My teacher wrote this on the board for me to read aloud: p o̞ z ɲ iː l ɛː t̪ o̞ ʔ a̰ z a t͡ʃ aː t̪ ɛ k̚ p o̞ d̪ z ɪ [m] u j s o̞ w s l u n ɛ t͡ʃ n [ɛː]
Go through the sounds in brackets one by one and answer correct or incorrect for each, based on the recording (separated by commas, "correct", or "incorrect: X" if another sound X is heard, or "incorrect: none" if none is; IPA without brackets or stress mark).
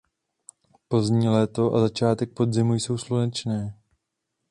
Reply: correct, correct